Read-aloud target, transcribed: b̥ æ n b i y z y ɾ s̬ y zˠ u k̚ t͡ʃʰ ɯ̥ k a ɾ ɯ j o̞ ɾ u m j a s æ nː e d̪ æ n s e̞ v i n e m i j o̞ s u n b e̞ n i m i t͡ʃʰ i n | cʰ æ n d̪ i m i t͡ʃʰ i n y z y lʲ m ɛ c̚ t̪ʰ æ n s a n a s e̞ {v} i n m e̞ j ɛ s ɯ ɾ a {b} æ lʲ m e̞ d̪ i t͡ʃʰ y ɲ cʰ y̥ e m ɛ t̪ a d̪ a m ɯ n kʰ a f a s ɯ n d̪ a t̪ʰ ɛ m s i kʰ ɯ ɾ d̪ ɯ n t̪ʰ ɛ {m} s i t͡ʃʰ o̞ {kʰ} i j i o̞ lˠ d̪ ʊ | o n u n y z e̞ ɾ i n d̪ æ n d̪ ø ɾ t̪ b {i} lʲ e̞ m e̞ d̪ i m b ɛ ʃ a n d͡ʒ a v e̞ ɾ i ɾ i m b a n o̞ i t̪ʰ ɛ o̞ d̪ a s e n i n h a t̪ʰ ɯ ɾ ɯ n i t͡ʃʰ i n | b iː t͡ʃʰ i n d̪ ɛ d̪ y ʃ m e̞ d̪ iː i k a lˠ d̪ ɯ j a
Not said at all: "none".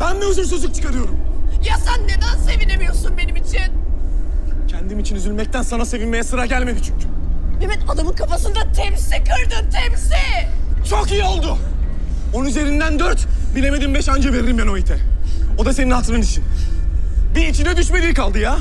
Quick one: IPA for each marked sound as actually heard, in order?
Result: v, ɟ, m, k, i

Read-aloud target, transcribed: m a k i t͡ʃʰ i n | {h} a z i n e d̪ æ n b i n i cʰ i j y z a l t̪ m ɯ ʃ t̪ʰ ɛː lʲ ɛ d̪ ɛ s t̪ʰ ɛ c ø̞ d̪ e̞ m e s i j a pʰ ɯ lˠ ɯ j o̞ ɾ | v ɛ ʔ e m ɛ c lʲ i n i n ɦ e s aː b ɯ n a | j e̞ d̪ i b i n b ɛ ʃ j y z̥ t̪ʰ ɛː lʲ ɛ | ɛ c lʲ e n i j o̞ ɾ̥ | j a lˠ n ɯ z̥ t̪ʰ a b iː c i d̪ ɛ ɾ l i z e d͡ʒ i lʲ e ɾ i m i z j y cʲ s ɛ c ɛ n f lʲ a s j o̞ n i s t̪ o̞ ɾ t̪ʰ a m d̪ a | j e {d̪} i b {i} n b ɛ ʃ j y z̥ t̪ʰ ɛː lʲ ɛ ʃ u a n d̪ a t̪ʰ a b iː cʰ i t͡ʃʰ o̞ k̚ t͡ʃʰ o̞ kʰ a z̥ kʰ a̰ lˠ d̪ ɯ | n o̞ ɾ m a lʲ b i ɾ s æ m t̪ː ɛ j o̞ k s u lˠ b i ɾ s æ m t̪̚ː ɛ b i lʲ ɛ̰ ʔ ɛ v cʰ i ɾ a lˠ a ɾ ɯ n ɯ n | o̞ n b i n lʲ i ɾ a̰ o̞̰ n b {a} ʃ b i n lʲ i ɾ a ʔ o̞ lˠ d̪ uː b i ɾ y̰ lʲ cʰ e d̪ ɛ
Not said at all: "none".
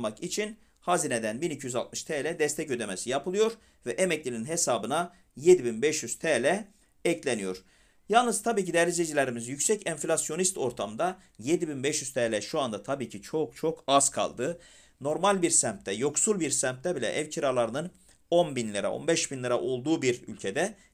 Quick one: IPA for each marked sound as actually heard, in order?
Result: h, d̪, i, ɛ

